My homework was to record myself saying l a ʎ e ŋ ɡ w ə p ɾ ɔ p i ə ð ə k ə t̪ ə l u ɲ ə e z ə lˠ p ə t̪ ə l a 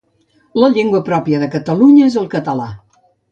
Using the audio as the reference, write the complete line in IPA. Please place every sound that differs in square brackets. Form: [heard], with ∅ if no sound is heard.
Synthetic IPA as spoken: l [ə] ʎ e ŋ ɡ w ə p ɾ ɔ p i ə ð ə k ə t̪ ə l u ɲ ə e z ə lˠ [k] ə t̪ ə l a